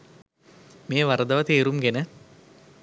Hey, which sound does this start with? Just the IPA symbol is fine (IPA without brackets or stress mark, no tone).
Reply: m